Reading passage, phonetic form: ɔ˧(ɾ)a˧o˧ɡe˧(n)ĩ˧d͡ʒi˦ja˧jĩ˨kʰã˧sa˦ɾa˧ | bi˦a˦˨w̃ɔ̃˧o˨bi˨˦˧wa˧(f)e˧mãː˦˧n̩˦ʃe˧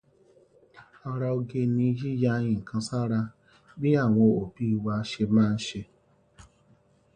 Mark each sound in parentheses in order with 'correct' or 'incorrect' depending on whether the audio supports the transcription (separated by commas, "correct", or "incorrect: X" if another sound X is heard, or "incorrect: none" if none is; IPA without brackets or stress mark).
correct, correct, incorrect: ʃ